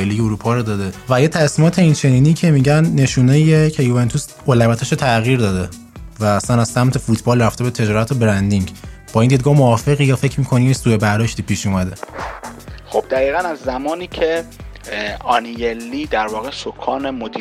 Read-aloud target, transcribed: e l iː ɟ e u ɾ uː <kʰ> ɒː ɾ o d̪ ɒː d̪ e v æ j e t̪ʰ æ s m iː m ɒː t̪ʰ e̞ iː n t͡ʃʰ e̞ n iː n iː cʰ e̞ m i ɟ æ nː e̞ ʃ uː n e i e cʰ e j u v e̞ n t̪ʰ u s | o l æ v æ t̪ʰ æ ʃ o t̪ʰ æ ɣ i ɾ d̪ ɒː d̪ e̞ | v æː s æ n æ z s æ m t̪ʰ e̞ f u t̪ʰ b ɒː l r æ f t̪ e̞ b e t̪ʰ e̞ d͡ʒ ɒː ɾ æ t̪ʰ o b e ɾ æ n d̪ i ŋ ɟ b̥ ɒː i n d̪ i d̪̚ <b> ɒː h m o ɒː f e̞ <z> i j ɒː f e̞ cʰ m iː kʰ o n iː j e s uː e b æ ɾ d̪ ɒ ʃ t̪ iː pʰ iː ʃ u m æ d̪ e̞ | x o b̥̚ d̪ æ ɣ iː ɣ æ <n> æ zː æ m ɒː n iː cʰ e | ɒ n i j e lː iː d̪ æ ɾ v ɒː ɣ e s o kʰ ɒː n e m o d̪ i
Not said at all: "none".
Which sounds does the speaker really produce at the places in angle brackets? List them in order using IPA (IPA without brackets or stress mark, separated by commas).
pʰ, ɡ, ɣ, n